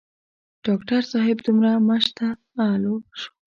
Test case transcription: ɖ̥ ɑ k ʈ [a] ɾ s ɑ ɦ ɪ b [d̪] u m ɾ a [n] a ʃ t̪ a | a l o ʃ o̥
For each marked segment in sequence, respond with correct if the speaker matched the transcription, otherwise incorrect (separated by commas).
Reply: correct, correct, incorrect